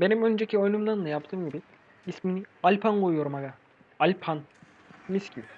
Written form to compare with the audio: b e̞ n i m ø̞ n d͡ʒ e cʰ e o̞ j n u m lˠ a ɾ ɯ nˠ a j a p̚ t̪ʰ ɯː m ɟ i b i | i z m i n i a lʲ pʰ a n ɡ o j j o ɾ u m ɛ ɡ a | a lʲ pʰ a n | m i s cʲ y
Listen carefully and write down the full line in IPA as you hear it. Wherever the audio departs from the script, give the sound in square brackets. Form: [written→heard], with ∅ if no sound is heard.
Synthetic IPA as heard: b e̞ n i m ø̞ n d͡ʒ e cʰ [e→i] o̞ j n u m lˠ a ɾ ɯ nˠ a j a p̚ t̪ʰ ɯː m ɟ i b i | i [z→s] m i n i a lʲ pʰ a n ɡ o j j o ɾ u m [ɛ→a] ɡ a | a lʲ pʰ a n | m i s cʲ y